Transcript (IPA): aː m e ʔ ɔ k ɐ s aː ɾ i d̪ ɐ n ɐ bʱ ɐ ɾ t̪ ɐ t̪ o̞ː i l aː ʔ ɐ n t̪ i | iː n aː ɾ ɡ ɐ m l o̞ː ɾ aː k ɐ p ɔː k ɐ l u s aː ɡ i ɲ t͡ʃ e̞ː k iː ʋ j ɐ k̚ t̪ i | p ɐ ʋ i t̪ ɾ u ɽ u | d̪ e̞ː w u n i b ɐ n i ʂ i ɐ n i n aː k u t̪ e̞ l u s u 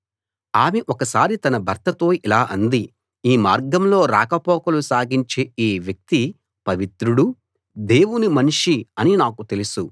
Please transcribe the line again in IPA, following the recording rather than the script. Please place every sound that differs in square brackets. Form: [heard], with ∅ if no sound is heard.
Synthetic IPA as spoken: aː m e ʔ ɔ k ɐ s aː ɾ i [t̪] ɐ n ɐ bʱ ɐ ɾ t̪ ɐ t̪ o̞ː i l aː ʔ ɐ n [d̪] i | iː [m] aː ɾ ɡ ɐ m l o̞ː ɾ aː k ɐ p ɔː k ɐ l u s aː ɡ i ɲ t͡ʃ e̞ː [∅] iː ʋ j ɐ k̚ t̪ i | p ɐ ʋ i t̪ ɾ u ɽ u | d̪ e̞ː w u n i [m] ɐ n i ʂ i ɐ n i n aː k u t̪ e̞ l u s u